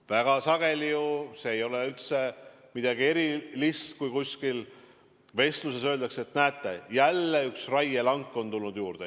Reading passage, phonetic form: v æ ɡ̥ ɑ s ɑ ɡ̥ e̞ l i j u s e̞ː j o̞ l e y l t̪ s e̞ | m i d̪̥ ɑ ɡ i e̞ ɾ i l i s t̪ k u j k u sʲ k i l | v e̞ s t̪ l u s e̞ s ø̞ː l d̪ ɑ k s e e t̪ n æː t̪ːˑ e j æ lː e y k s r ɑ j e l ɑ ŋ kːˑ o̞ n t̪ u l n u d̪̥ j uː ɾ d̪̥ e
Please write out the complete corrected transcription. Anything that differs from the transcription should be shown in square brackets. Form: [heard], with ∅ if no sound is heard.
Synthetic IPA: v æ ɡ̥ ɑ s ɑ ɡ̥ e̞ l i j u s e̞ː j o̞ l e y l t̪ s e̞ | m i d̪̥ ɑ ɡ i e̞ ɾ i l i s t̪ k u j k u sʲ k i l | v e̞ s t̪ l u s e̞ s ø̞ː l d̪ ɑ k s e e t̪ n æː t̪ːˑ e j æ lː e y k s r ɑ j e l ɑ ŋ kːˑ o̞ n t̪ u l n u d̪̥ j uː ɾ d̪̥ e